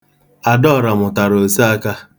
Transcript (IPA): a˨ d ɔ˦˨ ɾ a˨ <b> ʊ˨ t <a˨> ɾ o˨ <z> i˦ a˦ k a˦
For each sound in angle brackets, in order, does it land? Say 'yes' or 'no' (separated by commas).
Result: no, yes, no